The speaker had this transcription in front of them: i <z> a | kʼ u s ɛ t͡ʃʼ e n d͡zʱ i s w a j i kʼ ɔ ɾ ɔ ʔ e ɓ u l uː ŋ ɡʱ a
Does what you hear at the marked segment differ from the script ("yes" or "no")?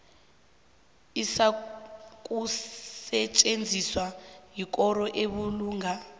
yes